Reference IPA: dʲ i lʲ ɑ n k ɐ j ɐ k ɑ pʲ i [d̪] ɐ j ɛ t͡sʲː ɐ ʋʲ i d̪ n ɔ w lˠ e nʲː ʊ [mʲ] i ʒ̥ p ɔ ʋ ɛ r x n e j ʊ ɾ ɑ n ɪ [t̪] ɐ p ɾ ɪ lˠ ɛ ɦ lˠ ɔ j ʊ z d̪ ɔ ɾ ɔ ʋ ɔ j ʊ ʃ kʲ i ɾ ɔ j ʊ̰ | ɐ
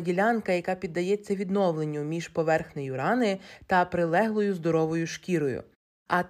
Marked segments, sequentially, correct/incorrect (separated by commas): incorrect, correct, correct